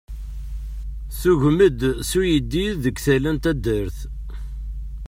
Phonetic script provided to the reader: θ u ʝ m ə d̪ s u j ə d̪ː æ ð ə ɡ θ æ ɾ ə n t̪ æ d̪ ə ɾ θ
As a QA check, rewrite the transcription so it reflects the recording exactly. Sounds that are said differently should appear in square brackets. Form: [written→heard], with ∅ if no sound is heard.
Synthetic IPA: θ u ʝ m ə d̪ s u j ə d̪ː [æ→i] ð ə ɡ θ æ [ɾ→l] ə n t̪ æ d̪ ə ɾ θ